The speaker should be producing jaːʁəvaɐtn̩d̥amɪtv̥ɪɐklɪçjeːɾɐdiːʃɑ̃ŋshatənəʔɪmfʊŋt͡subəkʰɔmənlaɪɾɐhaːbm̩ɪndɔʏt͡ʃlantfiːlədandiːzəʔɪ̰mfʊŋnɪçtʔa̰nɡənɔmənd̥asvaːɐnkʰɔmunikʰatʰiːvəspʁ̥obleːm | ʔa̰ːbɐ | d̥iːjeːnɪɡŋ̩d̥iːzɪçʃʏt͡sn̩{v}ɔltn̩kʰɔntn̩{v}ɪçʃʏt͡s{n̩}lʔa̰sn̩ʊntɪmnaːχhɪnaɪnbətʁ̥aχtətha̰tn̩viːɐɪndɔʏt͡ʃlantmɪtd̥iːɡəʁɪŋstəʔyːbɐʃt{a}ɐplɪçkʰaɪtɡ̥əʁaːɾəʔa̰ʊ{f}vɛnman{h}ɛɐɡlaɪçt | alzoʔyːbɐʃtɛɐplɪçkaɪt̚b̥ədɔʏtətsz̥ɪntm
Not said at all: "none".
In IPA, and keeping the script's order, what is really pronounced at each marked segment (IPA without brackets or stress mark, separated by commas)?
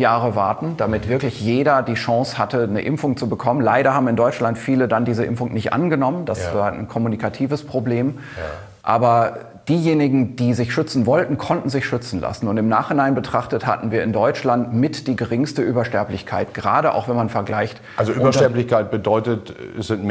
v, z, n̩, ɛ, x, f